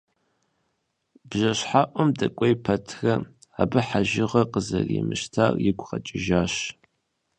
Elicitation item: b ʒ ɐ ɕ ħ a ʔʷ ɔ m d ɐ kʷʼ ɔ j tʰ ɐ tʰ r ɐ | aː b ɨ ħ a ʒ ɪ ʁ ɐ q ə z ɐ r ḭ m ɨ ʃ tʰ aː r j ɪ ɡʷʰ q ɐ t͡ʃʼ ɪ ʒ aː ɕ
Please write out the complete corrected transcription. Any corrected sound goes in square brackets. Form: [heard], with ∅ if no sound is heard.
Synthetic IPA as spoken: b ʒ ɐ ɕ ħ a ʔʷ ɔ m d ɐ kʷʼ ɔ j [pʰ] ɐ tʰ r ɐ | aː b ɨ ħ a ʒ ɪ ʁ ɐ q ə z ɐ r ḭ m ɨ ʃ tʰ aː r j ɪ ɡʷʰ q ɐ t͡ʃʼ ɪ ʒ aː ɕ